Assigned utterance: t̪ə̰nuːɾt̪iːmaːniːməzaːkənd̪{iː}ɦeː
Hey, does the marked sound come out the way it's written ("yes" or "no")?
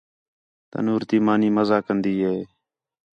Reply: yes